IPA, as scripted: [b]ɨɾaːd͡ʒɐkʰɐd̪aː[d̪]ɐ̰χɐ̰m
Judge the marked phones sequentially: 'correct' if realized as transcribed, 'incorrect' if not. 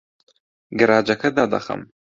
incorrect: ɡ, correct

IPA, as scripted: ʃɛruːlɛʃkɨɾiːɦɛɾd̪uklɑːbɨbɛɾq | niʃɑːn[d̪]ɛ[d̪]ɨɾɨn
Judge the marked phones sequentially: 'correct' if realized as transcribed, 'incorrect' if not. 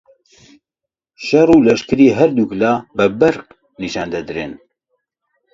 correct, correct

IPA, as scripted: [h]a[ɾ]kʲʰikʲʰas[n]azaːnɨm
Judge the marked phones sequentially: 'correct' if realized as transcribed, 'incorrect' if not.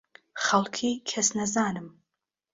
incorrect: χ, incorrect: l, correct

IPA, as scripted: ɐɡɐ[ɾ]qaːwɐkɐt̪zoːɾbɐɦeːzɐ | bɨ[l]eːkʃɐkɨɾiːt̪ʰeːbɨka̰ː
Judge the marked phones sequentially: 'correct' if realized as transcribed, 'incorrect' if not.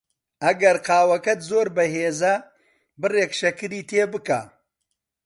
correct, incorrect: r

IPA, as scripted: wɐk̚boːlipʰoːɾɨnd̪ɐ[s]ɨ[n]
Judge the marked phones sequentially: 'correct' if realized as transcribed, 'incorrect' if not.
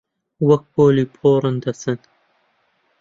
correct, correct

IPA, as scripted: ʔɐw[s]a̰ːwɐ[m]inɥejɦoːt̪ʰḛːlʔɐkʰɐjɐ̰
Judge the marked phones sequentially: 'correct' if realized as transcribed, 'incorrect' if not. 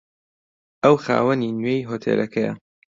incorrect: x, incorrect: n

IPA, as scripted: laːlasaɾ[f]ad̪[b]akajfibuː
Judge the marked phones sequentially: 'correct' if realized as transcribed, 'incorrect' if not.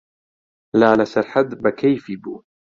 incorrect: ħ, correct

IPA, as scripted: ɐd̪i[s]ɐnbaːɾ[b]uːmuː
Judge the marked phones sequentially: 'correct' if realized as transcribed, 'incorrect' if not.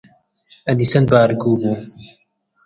correct, incorrect: ɡ

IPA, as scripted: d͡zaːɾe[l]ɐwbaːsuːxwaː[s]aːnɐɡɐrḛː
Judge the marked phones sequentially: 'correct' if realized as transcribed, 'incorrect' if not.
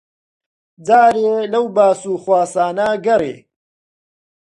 correct, correct

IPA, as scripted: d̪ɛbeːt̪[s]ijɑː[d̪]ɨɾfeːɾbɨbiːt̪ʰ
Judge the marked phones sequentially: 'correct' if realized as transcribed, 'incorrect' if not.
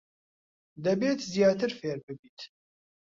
incorrect: z, incorrect: t̪

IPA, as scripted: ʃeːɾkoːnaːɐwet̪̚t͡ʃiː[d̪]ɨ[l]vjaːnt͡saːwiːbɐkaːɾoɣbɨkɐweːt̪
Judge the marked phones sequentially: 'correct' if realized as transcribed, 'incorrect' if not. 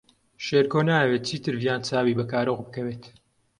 incorrect: t̪, incorrect: ɾ

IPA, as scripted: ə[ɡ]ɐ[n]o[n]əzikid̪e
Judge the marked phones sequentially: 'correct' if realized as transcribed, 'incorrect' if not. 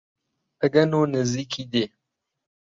correct, correct, correct

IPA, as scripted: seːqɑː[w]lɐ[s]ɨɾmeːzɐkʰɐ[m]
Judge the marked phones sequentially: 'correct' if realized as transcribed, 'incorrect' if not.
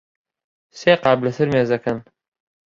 incorrect: b, correct, incorrect: n

